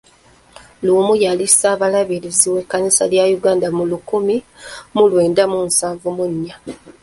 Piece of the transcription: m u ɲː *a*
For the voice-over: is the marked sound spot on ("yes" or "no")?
yes